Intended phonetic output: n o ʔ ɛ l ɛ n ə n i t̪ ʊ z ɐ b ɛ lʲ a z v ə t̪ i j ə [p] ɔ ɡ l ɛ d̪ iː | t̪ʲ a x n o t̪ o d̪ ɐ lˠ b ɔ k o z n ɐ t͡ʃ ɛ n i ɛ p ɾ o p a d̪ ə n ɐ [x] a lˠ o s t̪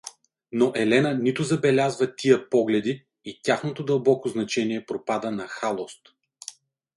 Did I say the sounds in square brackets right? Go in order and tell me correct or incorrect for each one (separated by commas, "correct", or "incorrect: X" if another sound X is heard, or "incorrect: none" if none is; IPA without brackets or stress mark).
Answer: correct, correct